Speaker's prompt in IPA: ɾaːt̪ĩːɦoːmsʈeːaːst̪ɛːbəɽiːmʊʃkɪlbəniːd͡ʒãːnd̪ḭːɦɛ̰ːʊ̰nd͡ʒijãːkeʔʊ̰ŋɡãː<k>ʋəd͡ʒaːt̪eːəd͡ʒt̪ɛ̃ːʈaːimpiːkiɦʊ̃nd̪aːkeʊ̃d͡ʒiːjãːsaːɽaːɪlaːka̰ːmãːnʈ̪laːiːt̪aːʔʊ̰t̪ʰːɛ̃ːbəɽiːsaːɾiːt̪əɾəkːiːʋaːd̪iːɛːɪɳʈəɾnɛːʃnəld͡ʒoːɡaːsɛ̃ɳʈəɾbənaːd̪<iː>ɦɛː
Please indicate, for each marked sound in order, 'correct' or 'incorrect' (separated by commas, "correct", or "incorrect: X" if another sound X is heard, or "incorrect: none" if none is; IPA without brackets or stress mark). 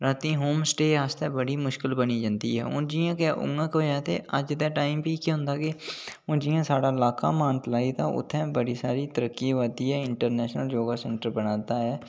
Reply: correct, incorrect: aː